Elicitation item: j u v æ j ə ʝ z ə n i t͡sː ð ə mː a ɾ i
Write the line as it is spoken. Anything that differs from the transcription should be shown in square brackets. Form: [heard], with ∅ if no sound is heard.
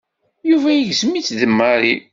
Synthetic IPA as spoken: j u v æ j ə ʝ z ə [m] i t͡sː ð ə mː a ɾ i